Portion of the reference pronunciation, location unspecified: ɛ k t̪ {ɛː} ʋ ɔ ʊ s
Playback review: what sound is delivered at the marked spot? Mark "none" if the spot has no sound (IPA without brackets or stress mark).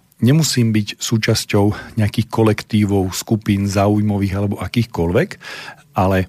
iː